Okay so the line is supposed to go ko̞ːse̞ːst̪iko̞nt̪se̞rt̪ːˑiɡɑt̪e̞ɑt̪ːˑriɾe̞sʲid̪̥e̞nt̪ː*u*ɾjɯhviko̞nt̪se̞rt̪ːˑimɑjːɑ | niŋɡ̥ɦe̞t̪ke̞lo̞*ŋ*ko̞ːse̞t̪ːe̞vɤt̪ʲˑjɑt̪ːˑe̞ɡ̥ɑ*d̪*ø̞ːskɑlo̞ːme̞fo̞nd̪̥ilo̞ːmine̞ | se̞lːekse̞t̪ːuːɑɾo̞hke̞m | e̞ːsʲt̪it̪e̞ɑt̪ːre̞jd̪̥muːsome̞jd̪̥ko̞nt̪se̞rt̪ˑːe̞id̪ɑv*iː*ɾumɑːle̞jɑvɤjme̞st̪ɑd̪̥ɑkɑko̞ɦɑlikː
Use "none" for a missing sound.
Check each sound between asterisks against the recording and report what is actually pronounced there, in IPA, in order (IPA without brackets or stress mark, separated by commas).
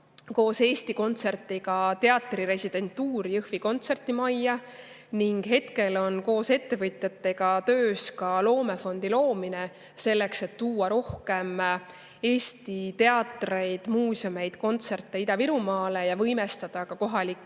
uː, n, t̪, i